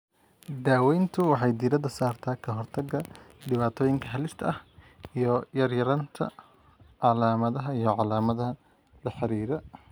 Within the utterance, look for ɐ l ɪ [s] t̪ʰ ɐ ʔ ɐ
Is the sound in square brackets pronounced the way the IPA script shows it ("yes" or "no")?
yes